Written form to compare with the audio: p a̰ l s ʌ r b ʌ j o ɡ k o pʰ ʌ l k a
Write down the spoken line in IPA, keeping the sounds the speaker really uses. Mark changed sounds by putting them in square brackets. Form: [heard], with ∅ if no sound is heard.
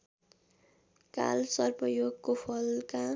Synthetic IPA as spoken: [k] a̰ l s ʌ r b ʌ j o ɡ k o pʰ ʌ l k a